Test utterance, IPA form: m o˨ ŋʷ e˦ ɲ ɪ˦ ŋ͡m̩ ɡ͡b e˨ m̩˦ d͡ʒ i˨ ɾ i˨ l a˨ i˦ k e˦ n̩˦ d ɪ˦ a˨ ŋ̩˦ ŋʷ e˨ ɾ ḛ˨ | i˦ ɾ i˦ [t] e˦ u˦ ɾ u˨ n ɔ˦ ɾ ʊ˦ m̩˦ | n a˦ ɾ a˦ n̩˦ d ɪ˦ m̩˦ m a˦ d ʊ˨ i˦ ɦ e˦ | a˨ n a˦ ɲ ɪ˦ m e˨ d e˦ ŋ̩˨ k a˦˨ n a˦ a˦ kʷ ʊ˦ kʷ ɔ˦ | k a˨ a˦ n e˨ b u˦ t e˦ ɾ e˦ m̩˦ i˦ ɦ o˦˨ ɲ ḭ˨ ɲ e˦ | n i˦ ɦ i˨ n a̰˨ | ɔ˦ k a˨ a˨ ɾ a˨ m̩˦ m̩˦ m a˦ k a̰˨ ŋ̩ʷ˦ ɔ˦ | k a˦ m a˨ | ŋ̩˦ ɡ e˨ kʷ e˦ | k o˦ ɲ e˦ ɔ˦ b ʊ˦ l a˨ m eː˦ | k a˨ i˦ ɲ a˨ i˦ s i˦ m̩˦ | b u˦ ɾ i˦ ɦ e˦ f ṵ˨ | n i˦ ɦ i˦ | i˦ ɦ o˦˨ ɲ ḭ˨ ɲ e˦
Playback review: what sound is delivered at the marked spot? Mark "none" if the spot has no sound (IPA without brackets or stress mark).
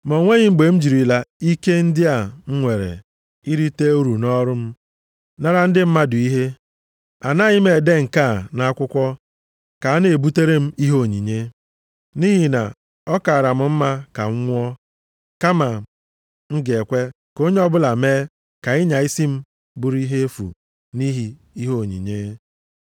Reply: t